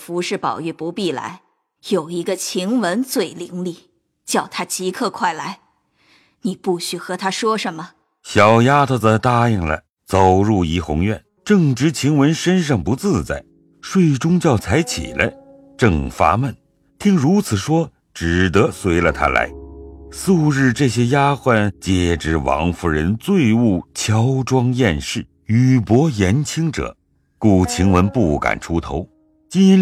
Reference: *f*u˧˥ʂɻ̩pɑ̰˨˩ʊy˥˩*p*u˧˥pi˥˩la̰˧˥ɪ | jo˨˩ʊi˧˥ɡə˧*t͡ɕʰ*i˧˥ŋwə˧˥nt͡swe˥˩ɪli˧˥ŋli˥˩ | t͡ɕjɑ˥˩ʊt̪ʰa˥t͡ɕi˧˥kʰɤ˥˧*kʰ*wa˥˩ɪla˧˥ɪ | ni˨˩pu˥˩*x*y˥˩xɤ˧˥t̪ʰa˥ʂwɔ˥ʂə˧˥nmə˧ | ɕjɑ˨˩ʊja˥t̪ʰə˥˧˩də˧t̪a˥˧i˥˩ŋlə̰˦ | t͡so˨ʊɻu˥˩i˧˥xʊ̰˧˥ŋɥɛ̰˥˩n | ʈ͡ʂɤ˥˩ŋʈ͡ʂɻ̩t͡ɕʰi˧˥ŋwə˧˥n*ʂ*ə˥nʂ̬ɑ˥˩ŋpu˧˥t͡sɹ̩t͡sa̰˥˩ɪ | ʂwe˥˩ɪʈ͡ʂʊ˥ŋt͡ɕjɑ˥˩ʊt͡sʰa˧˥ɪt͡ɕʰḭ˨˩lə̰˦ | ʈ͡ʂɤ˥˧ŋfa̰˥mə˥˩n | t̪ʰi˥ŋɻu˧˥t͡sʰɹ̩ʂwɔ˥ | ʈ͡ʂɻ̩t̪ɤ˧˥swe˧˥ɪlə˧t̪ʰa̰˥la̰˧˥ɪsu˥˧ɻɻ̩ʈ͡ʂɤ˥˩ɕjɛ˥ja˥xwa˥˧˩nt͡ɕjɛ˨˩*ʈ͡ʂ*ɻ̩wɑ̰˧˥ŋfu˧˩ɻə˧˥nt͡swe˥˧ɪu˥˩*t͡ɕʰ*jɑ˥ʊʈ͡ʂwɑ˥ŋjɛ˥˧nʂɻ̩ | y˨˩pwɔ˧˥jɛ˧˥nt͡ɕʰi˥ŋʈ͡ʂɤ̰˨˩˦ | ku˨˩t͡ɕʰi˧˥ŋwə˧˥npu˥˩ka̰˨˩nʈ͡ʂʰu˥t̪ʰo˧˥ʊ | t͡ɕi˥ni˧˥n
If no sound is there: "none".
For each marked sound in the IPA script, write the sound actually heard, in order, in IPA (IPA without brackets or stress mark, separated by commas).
f, p, t͡ɕʰ, kʰ, ɕ, ʂ, ʈ͡ʂ, t͡ɕʰ